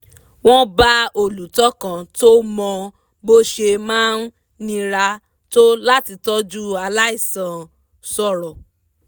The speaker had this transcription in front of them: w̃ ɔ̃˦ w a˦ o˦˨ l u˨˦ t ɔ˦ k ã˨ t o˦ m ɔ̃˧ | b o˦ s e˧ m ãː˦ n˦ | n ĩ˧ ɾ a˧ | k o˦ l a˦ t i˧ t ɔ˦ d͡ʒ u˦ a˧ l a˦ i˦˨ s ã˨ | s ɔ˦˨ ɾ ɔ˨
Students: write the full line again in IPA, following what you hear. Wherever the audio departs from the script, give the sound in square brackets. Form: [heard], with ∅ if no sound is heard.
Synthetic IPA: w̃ ɔ̃˦ [b] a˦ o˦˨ l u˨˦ t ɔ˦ k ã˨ t o˦ m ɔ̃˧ | b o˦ [ʃ] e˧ m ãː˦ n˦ | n ĩ˧ ɾ a˧ | [t] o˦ l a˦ t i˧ t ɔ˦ d͡ʒ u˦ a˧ l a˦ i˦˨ s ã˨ | s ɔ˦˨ ɾ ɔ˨